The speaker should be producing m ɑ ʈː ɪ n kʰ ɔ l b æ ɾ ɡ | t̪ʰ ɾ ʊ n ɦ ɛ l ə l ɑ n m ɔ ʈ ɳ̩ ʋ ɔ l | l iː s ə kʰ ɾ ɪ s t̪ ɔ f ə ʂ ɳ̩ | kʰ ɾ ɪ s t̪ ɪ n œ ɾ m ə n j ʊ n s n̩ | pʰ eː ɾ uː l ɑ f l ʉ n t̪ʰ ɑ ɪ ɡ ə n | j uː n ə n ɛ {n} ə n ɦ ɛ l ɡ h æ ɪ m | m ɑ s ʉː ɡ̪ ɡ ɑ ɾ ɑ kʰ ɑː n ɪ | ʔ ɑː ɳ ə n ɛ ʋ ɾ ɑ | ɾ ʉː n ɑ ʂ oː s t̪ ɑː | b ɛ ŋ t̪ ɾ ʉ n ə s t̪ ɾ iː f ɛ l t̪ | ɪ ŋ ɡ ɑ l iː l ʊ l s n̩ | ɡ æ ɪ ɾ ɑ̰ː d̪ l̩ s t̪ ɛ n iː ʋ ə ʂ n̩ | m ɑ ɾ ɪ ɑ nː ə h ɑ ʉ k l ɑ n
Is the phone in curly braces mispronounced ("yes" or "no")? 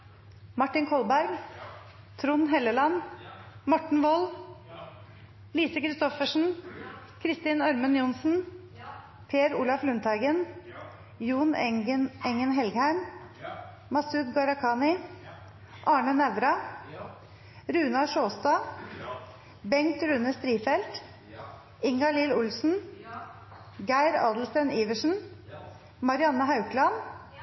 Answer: yes